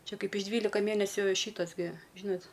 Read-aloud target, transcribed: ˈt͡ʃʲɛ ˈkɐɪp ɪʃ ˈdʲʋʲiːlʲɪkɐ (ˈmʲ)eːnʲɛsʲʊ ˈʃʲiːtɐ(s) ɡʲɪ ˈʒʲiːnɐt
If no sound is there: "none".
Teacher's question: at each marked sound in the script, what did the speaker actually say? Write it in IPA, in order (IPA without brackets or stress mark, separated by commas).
mʲ, s